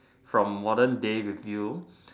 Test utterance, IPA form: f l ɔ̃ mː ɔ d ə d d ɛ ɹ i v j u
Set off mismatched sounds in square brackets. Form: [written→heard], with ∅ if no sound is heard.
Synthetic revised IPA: f [l→ɹ] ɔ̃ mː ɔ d ə [d→n] d [ɛ→e] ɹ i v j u